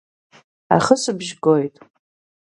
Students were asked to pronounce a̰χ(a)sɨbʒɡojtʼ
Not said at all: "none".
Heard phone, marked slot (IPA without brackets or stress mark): ə